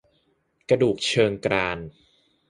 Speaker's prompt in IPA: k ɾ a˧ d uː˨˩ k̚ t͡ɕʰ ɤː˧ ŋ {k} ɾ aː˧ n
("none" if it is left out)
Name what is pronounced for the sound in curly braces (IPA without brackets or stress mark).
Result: k